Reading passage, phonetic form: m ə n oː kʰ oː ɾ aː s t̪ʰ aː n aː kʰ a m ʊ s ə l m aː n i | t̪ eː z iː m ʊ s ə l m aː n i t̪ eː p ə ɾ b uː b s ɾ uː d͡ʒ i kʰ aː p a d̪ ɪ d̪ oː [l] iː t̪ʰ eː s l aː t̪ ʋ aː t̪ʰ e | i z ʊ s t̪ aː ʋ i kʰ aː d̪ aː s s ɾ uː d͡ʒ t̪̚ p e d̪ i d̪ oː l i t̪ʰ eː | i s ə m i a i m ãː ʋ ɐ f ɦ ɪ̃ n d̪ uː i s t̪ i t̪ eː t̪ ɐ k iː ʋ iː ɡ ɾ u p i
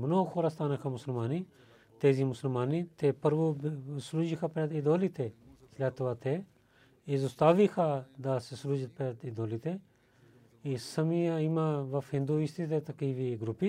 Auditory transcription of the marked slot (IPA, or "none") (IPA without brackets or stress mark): l